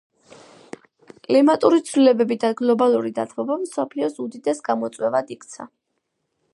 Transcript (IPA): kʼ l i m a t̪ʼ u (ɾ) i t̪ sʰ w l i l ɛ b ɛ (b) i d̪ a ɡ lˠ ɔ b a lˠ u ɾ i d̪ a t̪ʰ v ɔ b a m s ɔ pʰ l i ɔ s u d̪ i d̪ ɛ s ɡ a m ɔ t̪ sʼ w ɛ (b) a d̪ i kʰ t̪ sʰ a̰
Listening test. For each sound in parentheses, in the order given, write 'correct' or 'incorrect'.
correct, correct, incorrect

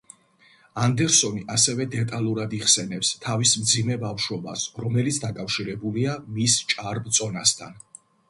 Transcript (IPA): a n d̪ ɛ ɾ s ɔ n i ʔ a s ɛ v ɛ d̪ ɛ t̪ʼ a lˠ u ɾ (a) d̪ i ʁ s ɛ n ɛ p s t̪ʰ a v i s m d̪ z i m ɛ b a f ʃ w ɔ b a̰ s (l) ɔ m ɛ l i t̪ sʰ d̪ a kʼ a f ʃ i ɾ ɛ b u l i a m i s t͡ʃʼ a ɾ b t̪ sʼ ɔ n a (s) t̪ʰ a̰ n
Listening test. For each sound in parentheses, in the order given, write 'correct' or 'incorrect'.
correct, incorrect, correct

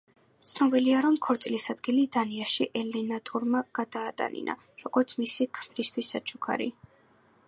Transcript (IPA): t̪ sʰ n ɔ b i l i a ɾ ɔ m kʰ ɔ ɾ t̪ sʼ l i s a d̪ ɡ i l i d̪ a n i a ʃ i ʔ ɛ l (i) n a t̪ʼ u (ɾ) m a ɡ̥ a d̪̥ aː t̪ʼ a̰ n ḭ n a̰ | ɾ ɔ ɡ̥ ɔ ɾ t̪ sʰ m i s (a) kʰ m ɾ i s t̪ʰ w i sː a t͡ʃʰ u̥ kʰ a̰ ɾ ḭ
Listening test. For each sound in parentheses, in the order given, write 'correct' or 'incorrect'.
incorrect, correct, incorrect

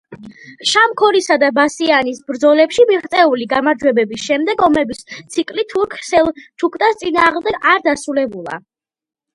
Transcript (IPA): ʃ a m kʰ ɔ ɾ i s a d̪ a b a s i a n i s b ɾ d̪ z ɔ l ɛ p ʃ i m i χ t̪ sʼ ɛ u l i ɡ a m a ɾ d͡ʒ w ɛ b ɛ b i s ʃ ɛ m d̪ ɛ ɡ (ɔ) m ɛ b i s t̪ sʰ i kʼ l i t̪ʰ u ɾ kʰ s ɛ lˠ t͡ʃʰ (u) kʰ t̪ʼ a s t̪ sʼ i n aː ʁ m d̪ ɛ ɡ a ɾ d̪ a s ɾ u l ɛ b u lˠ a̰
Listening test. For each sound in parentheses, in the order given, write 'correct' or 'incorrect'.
correct, correct

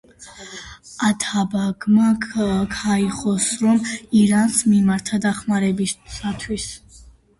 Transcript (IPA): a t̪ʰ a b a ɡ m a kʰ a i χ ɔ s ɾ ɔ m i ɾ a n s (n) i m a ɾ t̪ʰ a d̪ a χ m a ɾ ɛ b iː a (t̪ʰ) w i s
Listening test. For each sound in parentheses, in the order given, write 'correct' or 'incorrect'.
incorrect, correct

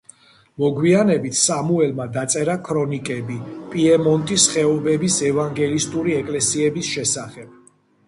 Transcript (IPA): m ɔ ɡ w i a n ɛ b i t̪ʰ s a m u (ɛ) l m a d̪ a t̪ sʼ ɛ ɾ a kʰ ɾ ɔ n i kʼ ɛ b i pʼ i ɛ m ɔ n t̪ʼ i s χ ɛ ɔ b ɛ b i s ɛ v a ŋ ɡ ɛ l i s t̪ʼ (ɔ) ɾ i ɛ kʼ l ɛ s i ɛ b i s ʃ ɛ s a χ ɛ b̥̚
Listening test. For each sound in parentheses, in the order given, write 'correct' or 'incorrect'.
correct, incorrect

